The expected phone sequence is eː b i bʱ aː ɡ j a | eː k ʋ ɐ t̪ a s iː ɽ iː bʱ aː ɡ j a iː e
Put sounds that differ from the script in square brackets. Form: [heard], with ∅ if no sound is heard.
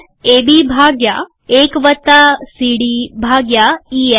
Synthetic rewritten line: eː b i bʱ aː ɡ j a | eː k ʋ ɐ t̪ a s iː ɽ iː bʱ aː ɡ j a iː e